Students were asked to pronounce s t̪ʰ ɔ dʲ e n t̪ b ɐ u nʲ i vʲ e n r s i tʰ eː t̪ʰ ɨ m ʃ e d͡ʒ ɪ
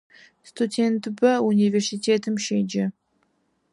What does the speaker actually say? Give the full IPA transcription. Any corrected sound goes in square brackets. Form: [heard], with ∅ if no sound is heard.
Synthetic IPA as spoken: s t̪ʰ [u] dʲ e n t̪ b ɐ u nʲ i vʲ e [∅] r s i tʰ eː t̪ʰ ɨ m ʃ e d͡ʒ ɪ